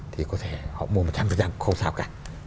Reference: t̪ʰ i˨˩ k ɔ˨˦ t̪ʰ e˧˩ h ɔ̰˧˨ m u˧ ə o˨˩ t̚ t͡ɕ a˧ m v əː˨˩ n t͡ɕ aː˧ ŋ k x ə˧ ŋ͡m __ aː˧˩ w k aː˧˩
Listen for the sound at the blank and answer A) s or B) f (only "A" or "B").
A